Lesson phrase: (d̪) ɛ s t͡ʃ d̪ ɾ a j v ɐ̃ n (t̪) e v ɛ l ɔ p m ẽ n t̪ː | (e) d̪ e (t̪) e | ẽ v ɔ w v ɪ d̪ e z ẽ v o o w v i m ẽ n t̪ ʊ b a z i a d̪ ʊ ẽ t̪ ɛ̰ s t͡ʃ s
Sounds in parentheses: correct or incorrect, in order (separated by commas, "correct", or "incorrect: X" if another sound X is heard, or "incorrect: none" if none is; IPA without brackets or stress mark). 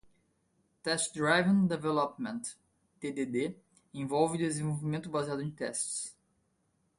incorrect: t̪, incorrect: d̪, correct, incorrect: d̪